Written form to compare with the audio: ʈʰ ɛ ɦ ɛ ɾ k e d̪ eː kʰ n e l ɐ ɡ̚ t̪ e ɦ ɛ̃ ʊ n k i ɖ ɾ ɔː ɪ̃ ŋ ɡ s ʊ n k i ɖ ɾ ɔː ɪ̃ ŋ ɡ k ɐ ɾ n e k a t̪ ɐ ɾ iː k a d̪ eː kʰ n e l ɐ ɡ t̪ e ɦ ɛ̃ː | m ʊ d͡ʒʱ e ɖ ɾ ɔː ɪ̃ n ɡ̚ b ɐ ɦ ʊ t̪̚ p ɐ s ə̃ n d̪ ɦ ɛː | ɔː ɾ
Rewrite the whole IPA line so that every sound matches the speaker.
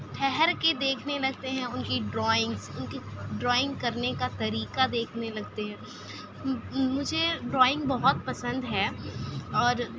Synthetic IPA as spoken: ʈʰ ɛ ɦ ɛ ɾ k e d̪ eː kʰ n e l ɐ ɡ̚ t̪ e ɦ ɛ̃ ʊ n k i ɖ ɾ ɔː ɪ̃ ŋ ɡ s ʊ n k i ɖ ɾ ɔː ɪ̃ ŋ ɡ k ɐ ɾ n e k a t̪ ɐ ɾ iː k a d̪ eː kʰ n e l ɐ ɡ t̪ e ɦ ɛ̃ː | m ʊ d͡ʒʱ e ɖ ɾ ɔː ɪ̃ ŋ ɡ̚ b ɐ ɦ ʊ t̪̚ p ɐ s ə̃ n d̪ ɦ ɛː | ɔː ɾ